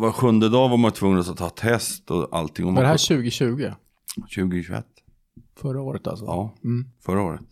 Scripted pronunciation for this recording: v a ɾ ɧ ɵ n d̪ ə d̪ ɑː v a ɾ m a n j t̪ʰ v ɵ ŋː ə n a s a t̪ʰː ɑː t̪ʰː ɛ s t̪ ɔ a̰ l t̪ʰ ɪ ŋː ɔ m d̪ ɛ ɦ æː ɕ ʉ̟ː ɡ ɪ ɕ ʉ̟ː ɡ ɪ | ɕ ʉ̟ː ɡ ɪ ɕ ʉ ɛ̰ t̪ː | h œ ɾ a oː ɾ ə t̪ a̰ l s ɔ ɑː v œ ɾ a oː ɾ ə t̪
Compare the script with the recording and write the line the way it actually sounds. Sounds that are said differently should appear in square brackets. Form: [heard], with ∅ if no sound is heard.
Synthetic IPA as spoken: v a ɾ ɧ ɵ n d̪ ə d̪ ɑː v a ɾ m a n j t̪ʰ v ɵ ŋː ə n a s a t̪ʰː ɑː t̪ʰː ɛ s t̪ ɔ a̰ l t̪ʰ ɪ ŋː ɔ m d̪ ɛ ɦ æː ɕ ʉ̟ː ɡ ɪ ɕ ʉ̟ː ɡ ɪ | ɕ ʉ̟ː ɡ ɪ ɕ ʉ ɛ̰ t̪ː | [f] œ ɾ a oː ɾ ə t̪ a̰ l s ɔ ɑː [f] œ ɾ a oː ɾ ə t̪